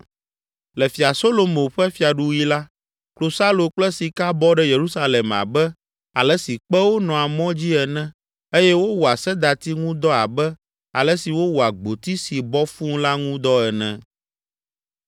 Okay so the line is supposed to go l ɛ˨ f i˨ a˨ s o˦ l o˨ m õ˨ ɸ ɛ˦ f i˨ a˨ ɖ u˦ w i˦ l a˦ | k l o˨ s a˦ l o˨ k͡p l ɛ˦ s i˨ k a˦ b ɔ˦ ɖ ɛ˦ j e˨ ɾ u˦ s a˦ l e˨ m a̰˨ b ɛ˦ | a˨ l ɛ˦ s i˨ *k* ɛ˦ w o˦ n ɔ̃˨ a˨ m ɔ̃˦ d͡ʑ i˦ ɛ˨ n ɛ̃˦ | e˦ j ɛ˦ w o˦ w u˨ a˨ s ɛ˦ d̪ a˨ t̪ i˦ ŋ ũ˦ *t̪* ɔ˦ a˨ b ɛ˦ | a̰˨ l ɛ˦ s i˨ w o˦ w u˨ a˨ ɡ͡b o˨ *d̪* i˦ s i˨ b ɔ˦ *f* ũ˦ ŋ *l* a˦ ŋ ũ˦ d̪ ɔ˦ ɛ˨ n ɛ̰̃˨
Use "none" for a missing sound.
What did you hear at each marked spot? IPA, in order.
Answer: k͡p, d̪, t̪, f, l

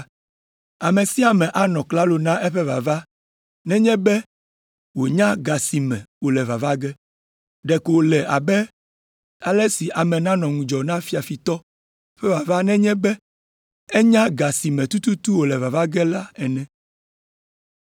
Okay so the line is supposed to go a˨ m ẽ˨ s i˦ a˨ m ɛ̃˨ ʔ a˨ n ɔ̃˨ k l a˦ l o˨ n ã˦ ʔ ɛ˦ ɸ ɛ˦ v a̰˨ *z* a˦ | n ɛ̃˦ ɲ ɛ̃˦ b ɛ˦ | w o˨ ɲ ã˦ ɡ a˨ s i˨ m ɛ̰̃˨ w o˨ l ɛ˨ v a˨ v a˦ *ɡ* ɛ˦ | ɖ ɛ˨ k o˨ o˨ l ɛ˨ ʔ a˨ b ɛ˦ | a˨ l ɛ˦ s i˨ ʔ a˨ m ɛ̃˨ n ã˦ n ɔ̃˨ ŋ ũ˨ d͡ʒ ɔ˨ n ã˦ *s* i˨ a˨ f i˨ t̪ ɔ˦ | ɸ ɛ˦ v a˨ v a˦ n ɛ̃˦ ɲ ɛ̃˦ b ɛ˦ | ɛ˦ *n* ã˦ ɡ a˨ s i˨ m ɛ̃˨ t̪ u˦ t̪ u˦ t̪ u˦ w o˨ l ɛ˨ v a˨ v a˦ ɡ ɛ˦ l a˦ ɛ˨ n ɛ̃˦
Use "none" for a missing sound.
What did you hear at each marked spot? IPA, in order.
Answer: v, ɡ, f, ɲ

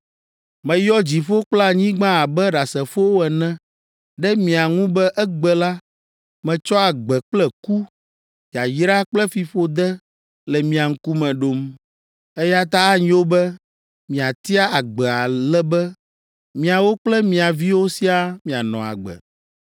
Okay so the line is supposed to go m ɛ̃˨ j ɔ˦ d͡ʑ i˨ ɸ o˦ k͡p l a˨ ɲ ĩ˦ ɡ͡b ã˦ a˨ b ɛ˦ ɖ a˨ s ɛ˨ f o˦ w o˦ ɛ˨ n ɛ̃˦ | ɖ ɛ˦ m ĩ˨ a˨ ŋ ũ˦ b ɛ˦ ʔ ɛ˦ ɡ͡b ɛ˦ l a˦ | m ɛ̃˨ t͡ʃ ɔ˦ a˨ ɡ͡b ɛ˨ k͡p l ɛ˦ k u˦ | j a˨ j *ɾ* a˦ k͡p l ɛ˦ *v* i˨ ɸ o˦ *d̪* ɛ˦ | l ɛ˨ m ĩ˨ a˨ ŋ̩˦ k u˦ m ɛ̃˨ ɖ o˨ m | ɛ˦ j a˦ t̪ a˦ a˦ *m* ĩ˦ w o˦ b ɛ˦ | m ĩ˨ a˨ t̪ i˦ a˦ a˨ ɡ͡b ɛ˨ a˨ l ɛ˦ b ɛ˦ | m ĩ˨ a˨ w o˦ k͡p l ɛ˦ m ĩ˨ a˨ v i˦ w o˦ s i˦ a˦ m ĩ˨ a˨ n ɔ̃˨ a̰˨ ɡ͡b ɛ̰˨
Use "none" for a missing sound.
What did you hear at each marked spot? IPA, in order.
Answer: ɾ, f, d̪, ɲ

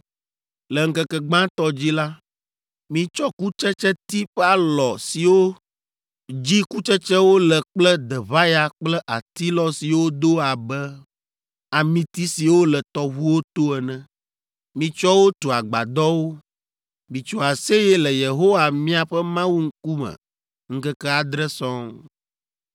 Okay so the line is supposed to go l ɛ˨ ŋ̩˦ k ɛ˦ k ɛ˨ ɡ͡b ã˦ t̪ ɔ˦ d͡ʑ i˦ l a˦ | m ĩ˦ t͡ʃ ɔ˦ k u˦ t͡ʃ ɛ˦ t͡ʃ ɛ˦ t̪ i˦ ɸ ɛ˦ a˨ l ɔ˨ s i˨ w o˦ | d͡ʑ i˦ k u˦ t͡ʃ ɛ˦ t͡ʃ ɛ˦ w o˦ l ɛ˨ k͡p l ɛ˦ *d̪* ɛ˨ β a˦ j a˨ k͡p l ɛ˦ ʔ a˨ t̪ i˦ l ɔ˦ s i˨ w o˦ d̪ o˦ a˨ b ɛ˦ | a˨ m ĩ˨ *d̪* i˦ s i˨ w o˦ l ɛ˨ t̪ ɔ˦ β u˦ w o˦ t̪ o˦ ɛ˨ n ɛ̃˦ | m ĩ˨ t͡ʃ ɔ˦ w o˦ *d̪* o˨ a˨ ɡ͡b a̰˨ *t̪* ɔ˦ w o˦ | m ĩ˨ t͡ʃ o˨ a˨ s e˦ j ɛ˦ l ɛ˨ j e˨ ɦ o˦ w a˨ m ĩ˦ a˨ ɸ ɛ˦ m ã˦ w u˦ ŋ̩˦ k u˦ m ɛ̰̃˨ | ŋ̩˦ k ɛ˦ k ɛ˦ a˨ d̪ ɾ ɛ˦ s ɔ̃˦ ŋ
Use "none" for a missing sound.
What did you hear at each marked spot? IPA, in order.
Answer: d̪, t̪, t̪, d̪

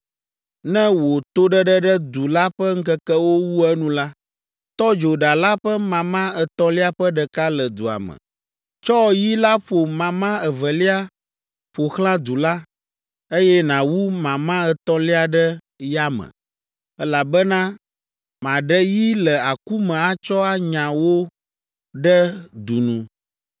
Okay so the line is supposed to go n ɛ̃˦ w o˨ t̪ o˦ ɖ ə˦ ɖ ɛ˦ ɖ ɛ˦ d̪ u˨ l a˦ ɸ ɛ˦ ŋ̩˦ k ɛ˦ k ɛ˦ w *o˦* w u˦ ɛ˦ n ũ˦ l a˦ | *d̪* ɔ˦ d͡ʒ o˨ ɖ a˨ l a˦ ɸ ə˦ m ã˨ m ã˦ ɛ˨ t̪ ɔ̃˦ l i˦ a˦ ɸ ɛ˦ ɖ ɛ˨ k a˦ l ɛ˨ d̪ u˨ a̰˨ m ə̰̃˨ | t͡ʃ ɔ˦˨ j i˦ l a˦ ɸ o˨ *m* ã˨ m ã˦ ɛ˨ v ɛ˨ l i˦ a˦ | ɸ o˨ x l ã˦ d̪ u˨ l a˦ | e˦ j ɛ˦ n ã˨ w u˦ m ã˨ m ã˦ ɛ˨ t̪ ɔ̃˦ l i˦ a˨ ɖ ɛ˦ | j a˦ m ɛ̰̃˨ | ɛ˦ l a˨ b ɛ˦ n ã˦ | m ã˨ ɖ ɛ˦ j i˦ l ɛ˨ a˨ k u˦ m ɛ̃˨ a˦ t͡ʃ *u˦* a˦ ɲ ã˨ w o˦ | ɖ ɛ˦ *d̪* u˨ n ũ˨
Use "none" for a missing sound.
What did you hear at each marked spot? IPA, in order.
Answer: o˦, t̪, m, ɔ˦, d̪

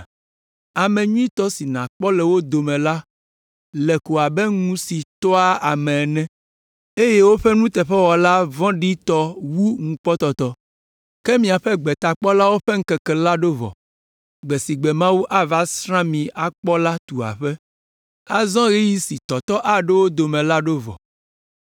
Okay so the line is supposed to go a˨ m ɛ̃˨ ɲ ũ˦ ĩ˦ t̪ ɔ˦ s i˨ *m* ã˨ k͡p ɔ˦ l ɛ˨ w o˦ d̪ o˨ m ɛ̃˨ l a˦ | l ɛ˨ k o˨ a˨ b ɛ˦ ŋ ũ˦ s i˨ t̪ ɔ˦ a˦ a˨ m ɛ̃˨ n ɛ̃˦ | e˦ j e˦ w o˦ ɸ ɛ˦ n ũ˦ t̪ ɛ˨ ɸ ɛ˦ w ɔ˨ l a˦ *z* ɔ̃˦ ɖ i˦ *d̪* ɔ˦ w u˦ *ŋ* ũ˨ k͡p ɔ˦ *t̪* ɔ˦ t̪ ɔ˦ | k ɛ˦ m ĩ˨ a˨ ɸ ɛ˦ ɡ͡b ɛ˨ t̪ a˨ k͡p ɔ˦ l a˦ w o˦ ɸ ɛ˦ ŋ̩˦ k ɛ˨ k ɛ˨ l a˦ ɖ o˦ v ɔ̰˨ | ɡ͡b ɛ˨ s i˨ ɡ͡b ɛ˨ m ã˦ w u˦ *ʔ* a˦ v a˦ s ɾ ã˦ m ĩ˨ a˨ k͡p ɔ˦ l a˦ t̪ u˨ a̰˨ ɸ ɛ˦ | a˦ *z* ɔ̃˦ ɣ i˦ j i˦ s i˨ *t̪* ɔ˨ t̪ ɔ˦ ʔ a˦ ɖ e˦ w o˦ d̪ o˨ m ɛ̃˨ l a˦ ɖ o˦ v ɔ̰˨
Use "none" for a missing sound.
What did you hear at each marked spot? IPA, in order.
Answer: n, v, t̪, ŋ, t̪, ʔ, z, t̪

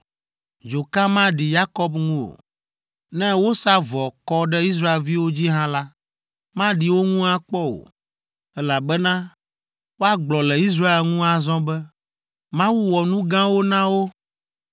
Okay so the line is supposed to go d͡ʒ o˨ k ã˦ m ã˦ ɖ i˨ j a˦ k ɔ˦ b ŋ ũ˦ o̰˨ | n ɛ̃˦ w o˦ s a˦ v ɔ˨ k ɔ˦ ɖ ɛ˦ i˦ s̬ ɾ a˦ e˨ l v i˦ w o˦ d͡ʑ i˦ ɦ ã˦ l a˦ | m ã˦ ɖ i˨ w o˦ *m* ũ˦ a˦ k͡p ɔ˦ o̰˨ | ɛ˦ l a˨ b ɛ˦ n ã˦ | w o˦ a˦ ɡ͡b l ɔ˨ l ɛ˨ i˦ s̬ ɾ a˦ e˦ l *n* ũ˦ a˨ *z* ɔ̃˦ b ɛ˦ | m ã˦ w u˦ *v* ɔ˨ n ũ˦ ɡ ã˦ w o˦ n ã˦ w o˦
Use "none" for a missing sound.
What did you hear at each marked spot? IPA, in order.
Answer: ŋ, ŋ, z, w

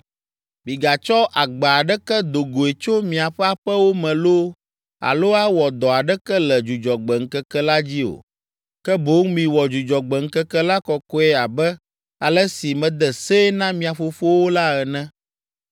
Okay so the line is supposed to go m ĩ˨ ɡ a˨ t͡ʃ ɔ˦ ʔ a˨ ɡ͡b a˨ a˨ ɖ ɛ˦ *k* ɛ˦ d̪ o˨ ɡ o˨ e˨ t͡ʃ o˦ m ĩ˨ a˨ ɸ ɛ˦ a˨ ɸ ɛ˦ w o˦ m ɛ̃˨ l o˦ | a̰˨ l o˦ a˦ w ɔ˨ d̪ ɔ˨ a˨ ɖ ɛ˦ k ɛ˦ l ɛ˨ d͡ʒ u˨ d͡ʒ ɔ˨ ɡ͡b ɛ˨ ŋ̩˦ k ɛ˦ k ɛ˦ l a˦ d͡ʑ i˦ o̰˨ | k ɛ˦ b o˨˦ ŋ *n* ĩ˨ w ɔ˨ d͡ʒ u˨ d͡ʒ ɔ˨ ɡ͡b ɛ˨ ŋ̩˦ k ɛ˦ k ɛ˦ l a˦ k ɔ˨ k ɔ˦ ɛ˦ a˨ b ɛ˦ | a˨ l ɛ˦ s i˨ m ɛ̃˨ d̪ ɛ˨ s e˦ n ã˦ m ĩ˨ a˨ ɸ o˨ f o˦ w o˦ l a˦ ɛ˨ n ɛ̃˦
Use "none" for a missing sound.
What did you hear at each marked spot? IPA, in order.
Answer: k, m

